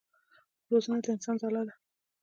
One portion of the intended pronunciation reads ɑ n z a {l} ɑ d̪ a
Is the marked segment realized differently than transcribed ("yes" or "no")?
no